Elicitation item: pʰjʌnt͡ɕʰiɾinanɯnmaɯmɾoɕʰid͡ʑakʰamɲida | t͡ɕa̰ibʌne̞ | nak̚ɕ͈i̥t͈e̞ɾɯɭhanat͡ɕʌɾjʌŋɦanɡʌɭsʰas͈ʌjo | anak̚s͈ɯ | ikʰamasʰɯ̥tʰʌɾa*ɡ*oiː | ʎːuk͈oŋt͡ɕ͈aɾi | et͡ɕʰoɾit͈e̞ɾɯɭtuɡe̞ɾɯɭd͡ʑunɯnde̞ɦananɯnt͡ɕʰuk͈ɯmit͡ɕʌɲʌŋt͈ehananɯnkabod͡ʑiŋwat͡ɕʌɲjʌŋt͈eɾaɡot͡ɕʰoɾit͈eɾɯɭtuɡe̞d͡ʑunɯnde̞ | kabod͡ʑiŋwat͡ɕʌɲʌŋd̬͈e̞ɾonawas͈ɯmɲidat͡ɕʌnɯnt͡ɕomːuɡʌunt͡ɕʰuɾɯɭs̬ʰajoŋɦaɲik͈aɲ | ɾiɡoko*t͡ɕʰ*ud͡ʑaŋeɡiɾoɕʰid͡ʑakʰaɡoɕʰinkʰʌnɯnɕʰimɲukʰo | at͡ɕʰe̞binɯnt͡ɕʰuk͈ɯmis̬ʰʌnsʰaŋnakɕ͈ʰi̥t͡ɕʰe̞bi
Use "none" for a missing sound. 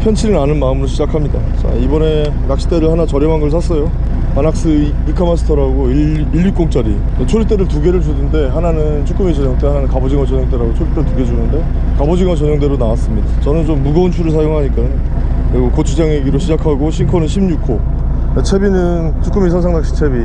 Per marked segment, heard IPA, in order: ɡ, t͡ɕʰ

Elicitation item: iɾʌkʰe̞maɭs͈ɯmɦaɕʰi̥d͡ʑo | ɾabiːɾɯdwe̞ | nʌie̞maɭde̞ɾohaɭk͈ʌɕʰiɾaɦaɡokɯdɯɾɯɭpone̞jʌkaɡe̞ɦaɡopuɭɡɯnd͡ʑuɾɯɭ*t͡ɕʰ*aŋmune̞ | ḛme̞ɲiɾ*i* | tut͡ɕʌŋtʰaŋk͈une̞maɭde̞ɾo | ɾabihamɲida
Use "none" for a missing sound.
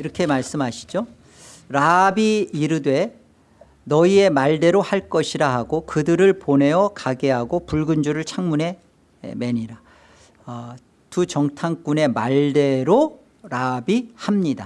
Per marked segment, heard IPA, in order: t͡ɕʰ, a

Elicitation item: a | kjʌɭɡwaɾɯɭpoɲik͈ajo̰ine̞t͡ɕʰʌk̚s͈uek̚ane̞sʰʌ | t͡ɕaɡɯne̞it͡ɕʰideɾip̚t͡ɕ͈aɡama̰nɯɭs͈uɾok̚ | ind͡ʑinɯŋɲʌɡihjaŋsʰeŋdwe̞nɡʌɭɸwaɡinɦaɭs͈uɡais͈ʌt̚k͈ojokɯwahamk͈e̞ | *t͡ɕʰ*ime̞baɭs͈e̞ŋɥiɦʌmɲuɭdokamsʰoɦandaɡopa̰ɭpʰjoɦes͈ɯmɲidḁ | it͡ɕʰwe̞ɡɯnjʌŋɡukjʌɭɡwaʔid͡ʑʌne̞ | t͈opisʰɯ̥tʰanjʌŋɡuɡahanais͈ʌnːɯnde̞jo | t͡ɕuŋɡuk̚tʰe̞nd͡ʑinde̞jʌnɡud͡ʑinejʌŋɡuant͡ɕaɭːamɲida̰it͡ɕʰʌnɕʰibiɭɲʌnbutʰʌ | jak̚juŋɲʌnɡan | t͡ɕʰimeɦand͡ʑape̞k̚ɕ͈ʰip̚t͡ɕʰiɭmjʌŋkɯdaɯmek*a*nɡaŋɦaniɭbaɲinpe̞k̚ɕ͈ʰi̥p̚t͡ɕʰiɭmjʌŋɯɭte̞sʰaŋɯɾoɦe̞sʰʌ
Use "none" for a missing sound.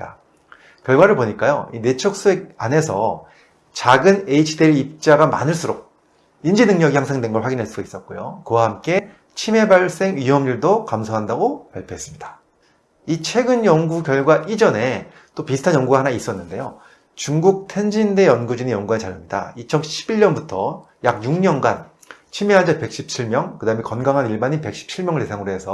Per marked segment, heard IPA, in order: t͡ɕʰ, ʌ

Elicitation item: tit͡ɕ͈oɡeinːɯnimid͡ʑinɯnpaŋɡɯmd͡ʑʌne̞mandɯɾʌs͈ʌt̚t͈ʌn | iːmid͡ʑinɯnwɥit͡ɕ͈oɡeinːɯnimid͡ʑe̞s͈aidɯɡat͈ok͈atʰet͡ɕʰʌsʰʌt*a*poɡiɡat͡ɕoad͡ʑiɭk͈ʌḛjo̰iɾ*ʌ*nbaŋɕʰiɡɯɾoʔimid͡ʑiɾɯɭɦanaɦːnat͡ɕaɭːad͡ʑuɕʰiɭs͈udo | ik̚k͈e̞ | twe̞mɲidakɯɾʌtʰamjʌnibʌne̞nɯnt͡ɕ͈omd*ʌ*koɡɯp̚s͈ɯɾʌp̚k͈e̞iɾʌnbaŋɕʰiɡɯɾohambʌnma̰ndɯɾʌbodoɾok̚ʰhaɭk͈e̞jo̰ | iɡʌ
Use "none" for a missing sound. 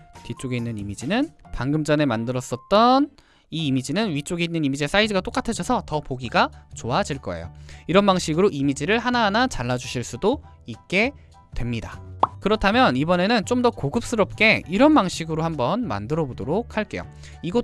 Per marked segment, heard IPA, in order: ʌ, ʌ, ʌ

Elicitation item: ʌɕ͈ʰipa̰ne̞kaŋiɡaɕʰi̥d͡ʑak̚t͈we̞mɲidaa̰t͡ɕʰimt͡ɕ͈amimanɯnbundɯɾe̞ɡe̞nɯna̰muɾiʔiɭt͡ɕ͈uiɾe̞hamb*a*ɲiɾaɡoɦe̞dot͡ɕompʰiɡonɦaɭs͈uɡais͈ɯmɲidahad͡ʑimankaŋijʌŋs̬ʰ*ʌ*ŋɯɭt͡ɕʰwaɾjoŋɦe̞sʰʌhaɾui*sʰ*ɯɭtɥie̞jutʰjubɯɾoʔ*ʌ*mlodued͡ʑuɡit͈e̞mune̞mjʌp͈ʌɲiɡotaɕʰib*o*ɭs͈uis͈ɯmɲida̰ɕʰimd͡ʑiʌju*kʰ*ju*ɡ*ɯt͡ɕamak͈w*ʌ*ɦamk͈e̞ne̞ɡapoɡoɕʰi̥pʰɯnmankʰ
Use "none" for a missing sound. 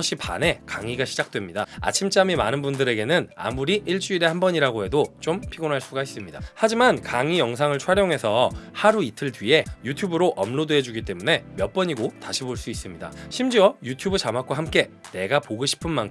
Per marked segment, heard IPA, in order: ʌ, a, tʰ, ʌ, o, tʰ, b, a

